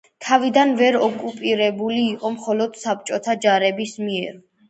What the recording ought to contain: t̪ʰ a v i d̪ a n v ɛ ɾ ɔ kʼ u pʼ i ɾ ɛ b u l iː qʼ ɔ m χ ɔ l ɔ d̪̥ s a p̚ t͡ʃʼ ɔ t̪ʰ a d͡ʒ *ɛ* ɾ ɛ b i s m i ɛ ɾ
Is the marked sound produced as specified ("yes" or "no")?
no